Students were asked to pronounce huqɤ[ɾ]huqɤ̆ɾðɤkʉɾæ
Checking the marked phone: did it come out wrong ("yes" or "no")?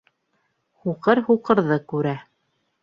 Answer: no